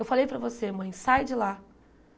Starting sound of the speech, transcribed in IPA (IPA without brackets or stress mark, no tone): e